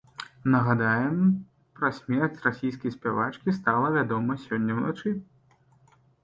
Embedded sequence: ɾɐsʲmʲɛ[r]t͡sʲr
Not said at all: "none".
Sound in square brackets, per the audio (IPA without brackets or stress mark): r